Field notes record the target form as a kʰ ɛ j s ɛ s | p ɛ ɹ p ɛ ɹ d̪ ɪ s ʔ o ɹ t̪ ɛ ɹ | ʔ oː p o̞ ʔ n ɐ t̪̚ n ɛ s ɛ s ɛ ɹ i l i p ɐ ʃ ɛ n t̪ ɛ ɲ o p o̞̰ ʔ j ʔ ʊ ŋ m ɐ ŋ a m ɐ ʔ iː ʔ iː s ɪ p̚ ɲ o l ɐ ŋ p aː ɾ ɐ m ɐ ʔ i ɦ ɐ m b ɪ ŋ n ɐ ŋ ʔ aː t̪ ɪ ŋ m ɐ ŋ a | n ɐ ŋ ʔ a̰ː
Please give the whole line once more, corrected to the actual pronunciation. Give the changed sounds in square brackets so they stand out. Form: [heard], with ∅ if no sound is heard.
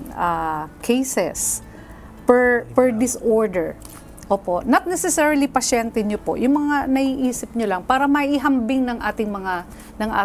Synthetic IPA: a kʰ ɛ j s ɛ s | p ɛ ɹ p ɛ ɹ d̪ ɪ s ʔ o ɹ [d̪] ɛ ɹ | ʔ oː p o̞ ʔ n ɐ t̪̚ n ɛ s ɛ s ɛ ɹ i l i p ɐ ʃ ɛ n t̪ ɛ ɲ o p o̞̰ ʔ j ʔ ʊ ŋ m ɐ ŋ a [n] ɐ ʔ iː ʔ iː s ɪ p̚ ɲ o l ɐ ŋ p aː ɾ ɐ m ɐ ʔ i ɦ ɐ m b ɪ ŋ n ɐ ŋ ʔ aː t̪ ɪ ŋ m ɐ ŋ a | n ɐ ŋ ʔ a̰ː